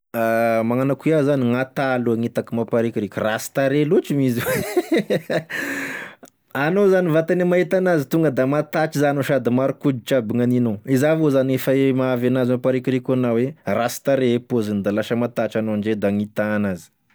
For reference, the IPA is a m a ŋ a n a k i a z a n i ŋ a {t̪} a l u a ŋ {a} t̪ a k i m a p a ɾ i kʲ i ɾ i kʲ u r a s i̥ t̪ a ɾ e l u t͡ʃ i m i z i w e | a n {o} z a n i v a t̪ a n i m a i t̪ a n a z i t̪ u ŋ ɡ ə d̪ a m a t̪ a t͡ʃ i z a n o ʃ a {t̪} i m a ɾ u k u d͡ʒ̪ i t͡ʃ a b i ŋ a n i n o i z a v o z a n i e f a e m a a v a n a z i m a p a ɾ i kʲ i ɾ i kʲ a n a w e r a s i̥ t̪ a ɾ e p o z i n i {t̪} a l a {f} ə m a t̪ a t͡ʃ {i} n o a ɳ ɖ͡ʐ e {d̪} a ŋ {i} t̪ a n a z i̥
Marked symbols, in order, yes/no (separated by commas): yes, no, yes, no, no, no, no, yes, yes